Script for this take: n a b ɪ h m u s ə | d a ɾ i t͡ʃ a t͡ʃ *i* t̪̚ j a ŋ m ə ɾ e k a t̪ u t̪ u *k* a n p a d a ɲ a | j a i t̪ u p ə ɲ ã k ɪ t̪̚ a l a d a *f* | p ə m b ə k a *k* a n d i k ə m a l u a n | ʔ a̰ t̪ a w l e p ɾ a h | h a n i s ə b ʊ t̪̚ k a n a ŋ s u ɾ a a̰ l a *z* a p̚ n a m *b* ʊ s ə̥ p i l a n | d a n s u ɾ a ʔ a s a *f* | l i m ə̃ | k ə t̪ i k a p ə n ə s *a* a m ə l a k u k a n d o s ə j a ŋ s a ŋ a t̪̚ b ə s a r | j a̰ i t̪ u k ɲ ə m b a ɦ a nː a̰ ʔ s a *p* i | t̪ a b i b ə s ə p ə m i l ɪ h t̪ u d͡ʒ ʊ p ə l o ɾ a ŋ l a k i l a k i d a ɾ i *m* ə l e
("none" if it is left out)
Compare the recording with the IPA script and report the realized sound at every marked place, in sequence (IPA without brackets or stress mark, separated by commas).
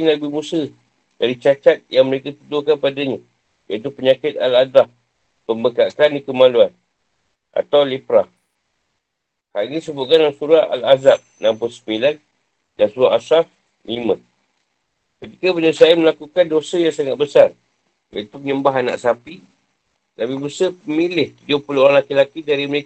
a, k, h, k, z, p, f, a, p, m